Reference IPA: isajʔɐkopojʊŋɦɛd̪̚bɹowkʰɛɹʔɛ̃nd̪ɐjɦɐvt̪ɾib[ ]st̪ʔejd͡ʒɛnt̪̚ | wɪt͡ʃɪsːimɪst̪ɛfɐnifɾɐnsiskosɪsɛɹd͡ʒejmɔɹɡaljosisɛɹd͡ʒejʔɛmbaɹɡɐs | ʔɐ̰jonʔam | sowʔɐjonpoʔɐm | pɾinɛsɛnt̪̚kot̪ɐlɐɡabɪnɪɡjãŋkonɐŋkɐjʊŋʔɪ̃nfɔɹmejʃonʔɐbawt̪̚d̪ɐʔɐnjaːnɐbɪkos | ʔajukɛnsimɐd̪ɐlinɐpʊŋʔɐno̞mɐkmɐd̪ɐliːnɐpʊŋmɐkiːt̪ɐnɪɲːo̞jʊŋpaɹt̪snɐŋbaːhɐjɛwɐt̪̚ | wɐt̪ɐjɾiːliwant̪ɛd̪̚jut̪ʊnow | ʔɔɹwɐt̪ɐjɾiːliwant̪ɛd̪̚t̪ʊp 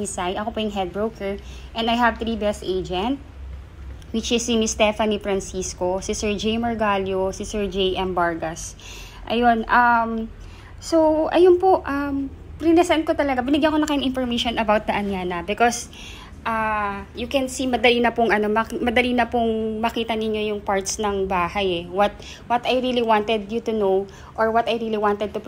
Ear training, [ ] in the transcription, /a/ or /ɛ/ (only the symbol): ɛ